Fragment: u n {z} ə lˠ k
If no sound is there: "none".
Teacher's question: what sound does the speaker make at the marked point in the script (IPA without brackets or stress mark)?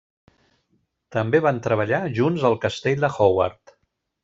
z